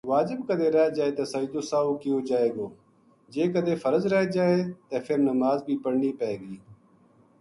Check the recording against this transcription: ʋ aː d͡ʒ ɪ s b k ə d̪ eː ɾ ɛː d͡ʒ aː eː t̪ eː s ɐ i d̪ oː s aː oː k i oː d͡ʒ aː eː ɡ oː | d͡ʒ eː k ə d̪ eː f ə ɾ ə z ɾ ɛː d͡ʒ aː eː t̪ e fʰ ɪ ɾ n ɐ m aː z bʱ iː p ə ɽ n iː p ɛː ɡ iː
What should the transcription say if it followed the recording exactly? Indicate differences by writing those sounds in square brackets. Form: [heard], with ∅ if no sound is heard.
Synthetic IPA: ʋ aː d͡ʒ ɪ [∅] b k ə d̪ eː ɾ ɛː d͡ʒ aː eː t̪ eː s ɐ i d̪ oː s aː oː k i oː d͡ʒ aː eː ɡ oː | d͡ʒ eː k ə d̪ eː f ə ɾ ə z ɾ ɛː d͡ʒ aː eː t̪ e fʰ ɪ ɾ n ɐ m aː z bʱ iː p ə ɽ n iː p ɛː ɡ iː